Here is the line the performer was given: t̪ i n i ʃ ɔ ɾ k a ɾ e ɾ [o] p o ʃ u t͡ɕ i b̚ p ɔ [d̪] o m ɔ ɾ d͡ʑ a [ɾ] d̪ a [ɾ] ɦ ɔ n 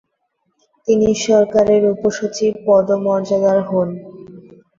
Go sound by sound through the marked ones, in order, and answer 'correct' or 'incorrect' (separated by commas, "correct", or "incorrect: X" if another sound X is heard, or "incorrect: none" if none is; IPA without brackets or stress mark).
incorrect: u, correct, incorrect: none, correct